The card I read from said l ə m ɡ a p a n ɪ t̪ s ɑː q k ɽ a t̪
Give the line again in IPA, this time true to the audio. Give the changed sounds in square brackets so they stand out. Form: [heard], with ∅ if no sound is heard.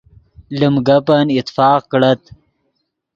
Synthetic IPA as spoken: l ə m ɡ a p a n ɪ t̪ [f] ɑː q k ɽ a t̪